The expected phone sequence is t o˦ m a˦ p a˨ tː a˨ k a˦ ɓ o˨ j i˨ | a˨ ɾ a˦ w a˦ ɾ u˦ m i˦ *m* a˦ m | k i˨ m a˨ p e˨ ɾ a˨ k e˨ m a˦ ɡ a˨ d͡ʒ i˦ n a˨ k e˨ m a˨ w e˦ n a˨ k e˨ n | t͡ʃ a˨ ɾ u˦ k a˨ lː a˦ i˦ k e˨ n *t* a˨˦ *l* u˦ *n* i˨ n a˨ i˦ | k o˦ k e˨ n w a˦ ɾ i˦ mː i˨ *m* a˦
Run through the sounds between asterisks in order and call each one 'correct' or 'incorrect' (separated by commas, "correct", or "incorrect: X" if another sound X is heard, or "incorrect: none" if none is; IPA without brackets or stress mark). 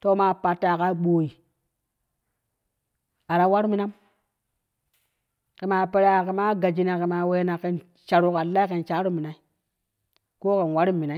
incorrect: n, incorrect: t͡ʃ, incorrect: ɾ, incorrect: m, incorrect: n